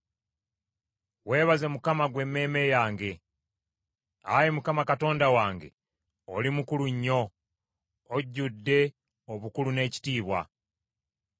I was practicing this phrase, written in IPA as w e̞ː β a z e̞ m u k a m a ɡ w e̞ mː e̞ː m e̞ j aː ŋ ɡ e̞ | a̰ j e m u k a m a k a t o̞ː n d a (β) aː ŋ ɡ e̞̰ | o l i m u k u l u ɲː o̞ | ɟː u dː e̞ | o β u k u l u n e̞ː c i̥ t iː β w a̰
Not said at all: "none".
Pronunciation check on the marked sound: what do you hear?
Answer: w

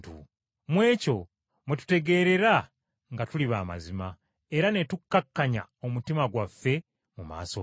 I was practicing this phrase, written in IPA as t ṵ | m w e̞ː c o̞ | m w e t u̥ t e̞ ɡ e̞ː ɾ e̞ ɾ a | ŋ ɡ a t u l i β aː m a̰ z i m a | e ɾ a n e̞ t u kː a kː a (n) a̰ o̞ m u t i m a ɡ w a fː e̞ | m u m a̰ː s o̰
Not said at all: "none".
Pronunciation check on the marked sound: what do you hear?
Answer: ɲ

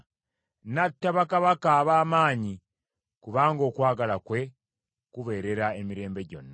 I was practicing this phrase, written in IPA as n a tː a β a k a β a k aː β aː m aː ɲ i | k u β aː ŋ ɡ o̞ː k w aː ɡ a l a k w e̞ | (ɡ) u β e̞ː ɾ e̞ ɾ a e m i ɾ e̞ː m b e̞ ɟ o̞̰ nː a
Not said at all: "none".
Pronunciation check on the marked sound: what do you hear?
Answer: k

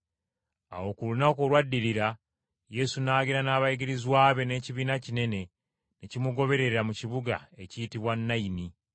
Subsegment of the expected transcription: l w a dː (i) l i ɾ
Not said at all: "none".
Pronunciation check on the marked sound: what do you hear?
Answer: i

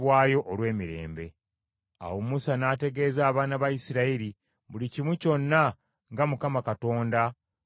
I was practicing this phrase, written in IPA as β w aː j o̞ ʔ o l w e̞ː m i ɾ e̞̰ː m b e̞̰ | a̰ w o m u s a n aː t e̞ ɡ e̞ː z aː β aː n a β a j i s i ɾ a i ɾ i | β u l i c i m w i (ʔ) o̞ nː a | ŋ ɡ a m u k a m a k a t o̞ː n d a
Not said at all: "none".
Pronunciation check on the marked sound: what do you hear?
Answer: c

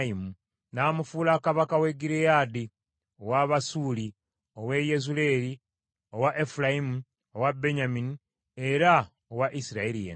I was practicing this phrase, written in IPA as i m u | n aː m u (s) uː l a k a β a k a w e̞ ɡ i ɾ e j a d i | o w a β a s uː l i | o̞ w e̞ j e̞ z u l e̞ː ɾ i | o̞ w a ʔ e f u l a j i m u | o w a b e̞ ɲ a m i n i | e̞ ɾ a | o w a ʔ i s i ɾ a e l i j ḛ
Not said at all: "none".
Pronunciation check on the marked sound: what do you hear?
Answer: f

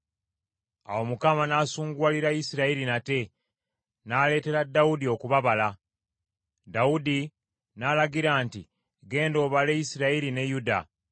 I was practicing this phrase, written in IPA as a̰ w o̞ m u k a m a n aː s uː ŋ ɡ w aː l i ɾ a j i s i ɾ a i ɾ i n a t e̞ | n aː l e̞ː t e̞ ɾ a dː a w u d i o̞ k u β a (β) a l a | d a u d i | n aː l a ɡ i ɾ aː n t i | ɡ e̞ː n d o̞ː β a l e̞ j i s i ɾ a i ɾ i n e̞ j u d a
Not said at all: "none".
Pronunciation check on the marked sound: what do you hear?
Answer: β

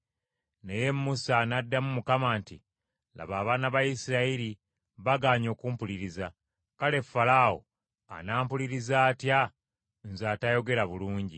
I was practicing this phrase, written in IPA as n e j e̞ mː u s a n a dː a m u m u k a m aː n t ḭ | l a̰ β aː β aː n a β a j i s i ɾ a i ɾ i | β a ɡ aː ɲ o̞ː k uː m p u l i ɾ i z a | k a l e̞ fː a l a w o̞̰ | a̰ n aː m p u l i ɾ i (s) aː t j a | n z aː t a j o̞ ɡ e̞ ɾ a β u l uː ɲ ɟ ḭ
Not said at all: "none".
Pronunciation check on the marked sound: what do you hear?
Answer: z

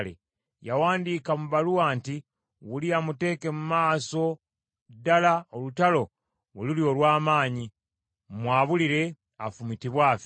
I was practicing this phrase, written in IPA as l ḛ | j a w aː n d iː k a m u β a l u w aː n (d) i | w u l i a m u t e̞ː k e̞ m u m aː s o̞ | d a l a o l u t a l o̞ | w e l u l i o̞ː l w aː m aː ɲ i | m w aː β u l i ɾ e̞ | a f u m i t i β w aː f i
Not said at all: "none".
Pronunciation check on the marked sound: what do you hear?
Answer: t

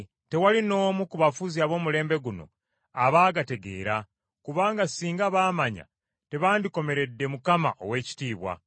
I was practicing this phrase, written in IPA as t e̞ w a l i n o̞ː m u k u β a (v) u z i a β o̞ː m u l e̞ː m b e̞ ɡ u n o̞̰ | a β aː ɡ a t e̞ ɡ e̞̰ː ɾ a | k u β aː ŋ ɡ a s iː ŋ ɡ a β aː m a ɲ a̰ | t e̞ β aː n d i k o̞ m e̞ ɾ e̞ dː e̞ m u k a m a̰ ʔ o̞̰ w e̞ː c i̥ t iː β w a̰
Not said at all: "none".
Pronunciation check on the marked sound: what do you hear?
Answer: f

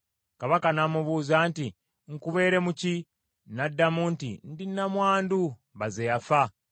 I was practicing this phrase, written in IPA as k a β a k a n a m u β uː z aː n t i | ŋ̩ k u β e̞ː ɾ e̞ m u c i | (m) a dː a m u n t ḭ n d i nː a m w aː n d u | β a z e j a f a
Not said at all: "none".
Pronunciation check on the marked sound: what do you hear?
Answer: n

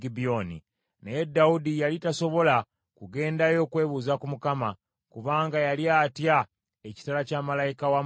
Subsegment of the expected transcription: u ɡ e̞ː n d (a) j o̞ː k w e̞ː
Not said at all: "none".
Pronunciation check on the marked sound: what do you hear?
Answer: a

